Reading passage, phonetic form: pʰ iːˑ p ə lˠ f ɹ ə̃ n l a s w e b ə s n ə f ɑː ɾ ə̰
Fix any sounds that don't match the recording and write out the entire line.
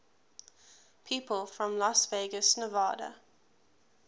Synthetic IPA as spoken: pʰ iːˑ p ə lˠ f ɹ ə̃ m l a s v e ɡ ə s n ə v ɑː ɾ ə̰